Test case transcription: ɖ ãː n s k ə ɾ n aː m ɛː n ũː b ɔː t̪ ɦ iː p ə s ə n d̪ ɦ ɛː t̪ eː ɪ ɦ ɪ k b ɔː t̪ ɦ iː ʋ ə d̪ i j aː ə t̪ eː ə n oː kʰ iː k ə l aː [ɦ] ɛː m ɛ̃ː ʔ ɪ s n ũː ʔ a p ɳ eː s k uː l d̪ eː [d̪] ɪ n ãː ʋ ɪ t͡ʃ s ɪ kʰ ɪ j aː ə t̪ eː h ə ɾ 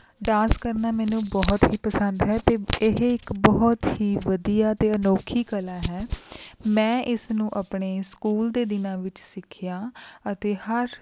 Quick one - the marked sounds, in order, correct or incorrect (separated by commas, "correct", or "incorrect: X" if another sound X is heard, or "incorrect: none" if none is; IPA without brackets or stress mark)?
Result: correct, correct